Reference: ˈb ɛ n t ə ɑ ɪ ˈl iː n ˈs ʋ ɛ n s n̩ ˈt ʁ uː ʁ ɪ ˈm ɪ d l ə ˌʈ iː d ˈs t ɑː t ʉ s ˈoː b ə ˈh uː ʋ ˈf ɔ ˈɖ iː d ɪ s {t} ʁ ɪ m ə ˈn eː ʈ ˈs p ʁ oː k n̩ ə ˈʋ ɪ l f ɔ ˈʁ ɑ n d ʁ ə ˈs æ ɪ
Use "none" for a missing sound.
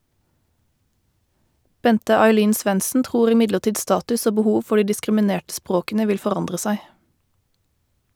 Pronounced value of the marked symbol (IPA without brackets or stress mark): k